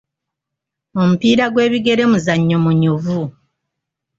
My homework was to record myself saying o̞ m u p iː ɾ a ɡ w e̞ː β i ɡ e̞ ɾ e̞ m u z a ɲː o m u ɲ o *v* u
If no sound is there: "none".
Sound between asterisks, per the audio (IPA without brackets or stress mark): v